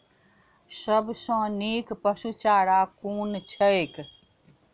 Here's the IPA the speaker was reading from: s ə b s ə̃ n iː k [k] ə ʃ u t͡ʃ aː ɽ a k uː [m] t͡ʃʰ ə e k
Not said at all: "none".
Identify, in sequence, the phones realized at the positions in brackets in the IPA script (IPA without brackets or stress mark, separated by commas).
p, n